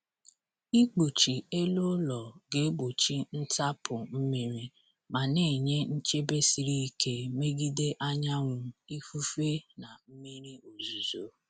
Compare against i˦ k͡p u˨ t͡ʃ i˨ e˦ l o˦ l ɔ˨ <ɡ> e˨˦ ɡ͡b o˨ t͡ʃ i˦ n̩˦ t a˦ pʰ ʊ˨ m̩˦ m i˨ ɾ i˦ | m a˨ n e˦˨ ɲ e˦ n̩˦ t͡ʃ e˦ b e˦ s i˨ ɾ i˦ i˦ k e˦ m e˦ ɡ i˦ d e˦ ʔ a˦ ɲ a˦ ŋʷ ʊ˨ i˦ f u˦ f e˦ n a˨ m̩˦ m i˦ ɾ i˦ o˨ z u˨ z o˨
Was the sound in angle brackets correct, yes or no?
yes